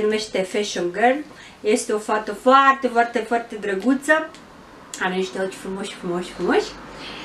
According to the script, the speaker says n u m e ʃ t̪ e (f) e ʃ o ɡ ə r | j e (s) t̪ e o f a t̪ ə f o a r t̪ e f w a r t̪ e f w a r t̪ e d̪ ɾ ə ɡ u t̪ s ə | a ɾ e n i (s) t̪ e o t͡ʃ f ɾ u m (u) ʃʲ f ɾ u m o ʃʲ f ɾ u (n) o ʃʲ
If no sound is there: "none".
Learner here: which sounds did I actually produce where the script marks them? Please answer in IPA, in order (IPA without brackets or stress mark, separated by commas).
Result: f, s, ʃ, o, m